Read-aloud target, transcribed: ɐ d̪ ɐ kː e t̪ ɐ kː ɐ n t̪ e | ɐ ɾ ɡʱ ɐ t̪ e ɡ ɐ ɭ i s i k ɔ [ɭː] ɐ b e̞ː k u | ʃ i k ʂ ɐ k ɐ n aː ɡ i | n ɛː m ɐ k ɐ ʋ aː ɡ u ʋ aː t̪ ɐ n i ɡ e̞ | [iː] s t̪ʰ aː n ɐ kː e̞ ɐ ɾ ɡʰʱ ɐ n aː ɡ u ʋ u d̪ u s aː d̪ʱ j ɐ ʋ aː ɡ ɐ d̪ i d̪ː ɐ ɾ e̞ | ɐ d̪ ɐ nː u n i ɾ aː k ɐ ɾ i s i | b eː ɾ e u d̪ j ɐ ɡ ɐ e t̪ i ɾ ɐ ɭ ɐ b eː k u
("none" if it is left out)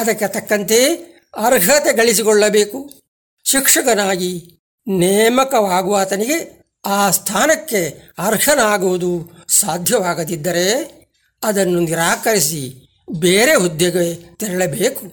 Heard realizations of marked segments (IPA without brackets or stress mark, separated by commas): ɭː, aː